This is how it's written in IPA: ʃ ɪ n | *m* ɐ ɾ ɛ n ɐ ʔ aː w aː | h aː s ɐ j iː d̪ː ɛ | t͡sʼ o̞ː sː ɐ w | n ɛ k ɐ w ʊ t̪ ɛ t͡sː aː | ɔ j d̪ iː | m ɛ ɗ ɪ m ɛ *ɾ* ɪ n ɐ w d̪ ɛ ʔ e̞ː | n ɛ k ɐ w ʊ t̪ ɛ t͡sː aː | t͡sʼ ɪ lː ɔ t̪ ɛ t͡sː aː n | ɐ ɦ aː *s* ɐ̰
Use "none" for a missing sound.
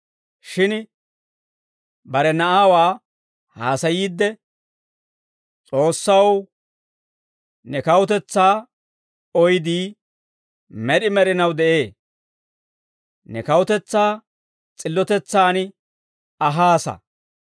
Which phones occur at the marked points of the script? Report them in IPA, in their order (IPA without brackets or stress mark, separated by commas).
b, ɾ, s